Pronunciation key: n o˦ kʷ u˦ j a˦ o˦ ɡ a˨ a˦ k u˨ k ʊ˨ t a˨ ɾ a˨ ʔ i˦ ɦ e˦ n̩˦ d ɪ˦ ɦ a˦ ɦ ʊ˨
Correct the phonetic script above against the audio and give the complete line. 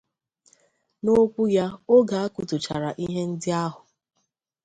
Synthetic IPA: n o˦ kʷ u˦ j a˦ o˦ ɡ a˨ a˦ k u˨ t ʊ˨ t͡ʃ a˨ ɾ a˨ ʔ i˦ ɦ e˦ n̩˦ d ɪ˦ a˦ ɦ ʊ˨

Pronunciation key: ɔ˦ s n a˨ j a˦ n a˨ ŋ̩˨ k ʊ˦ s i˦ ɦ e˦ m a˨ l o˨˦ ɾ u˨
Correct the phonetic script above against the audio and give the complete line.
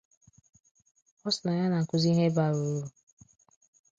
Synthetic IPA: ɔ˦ s n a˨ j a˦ n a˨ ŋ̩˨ k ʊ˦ z i˦ ɦ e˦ b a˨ ɾ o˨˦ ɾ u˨

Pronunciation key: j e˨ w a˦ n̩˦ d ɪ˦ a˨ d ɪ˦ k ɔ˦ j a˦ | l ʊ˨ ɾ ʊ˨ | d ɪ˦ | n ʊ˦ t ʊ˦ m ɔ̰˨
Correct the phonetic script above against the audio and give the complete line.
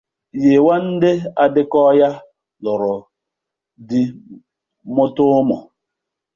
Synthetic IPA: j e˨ w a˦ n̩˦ d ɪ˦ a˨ d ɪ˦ k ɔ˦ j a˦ | l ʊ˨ ɾ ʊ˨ | d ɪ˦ | m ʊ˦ t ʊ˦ m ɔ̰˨

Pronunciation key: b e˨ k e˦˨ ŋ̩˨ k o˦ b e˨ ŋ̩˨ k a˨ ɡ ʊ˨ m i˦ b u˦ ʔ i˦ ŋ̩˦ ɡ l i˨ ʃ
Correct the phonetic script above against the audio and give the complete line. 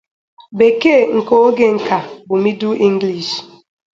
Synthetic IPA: b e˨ k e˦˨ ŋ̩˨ k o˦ ɡ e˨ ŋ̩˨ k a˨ b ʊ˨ m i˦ d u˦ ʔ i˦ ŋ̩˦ ɡ l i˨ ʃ

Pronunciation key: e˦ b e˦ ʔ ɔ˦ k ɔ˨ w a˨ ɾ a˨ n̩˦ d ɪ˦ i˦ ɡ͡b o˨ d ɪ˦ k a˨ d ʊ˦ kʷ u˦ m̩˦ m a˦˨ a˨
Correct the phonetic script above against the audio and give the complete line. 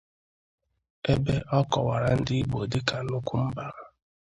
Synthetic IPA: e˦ b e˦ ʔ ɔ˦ k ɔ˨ w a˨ ɾ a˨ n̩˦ d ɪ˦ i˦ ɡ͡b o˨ d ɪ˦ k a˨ n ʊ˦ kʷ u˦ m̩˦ b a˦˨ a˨

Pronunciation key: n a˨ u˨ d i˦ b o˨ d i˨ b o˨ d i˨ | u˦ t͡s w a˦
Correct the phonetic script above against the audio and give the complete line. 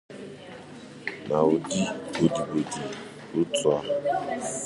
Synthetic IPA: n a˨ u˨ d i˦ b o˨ d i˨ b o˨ d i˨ | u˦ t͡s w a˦

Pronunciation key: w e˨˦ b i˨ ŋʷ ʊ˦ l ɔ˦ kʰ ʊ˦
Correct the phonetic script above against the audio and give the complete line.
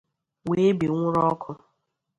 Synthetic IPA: w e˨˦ b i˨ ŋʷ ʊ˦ ɾ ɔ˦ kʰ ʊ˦

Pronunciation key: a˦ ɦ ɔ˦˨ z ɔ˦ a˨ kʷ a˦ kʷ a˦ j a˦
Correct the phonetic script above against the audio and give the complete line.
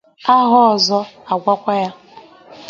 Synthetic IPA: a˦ ɦ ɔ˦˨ z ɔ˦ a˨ ɡʷ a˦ kʷ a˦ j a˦

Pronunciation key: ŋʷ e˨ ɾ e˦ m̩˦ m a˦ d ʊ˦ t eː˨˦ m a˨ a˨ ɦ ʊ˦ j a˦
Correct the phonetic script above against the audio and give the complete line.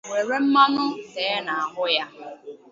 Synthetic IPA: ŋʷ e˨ ɾ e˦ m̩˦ m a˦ n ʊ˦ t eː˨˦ n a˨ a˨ ɦ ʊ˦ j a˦

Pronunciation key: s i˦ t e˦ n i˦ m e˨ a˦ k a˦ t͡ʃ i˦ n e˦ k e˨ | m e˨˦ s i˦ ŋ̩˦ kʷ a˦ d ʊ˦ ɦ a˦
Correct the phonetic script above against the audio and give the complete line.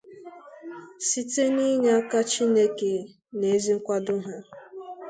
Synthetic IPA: s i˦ t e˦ n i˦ ɲ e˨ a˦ k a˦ t͡ʃ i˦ n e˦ k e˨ | n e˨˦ z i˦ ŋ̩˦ kʷ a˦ d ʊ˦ ɦ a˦

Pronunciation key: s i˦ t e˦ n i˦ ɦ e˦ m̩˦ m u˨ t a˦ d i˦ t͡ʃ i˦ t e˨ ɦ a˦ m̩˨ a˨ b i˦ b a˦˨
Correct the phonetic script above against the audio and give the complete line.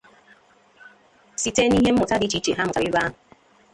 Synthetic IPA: s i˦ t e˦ n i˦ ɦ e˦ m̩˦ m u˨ t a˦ d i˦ t͡ʃ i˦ t͡ʃ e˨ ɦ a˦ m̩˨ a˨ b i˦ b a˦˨

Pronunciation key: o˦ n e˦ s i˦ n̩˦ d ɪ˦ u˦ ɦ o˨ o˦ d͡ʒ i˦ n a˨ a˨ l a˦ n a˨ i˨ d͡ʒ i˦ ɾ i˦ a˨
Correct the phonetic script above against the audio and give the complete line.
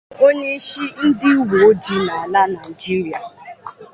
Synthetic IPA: o˦ ɲ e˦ ʃ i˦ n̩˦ d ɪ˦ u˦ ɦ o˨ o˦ d͡ʒ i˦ n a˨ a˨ l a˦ n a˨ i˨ d͡ʒ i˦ ɾ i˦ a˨

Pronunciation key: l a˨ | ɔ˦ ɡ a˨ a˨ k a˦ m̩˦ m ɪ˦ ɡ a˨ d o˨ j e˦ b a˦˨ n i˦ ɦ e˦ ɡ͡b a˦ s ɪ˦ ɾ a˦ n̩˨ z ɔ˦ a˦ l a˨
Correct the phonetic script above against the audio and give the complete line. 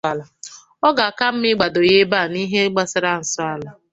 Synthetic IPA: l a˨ | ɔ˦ ɡ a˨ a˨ k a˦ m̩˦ m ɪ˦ ɡ͡b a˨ d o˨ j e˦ b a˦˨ n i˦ ɦ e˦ ɡ͡b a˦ s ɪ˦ ɾ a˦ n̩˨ s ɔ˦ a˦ l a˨

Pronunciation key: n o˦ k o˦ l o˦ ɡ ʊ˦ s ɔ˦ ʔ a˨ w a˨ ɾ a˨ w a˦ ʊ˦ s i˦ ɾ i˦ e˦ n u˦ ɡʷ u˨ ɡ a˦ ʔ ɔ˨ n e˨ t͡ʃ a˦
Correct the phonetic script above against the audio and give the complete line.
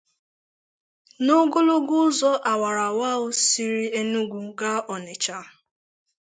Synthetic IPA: n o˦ ɡ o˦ l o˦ ɡ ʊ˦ z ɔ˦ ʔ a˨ w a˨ ɾ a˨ w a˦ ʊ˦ s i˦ ɾ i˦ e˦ n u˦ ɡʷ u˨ ɡ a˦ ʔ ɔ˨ n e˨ t͡ʃ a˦

